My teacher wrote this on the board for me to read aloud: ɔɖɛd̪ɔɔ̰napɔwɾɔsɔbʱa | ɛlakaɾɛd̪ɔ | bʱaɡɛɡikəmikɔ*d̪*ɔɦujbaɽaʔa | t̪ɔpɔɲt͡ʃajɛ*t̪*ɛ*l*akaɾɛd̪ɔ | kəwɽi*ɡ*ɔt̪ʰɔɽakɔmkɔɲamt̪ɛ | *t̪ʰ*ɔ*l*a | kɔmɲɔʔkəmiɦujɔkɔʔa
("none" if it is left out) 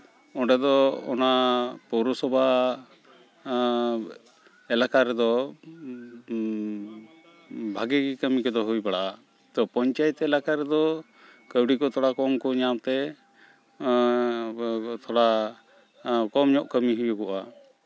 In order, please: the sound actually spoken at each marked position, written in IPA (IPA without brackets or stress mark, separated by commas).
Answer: d̪, t̪, l, k, t̪ʰ, ɽ